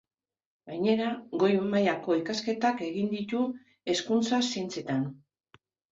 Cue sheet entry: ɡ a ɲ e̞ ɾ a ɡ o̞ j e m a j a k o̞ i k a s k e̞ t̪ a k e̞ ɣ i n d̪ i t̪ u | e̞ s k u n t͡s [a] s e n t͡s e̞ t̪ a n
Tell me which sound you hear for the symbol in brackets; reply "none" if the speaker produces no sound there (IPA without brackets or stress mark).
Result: a